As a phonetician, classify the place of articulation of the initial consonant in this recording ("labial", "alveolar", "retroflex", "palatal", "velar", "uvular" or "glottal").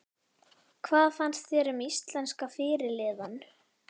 velar